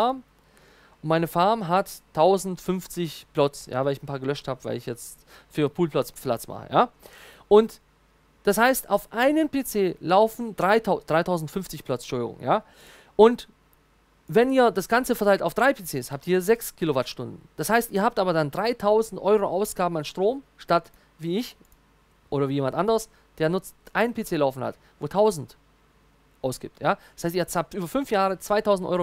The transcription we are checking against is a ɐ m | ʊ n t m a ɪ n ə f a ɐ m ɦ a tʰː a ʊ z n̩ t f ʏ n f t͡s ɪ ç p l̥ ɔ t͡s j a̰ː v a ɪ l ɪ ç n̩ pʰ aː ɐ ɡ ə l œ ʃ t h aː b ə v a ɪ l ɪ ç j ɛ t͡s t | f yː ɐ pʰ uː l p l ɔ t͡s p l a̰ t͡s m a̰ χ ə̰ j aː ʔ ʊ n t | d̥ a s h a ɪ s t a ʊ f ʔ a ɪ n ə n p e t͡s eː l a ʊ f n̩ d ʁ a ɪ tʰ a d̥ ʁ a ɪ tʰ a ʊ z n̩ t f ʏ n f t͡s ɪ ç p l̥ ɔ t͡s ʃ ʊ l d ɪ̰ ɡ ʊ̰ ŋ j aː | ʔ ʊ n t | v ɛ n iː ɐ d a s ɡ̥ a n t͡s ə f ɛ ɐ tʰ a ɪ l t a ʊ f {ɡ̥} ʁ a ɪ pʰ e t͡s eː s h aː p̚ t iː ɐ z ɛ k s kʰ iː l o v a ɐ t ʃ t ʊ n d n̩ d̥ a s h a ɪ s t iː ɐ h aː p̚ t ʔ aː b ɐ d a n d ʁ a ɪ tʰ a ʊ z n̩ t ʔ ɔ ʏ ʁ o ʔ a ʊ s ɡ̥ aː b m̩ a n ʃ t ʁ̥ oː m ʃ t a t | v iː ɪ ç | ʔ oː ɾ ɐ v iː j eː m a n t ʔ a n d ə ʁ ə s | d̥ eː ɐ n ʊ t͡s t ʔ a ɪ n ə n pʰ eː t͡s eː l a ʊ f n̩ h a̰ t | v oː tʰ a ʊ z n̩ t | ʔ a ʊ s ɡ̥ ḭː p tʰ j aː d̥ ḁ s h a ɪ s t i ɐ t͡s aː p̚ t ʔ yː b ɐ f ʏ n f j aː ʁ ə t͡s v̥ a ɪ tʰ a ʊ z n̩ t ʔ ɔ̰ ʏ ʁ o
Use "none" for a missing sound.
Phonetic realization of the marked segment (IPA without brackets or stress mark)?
d̥